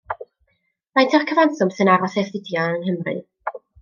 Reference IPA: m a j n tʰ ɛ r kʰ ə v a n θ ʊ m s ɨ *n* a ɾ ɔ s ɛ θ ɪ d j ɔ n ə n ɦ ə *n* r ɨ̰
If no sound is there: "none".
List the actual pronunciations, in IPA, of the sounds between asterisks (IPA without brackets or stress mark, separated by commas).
n, m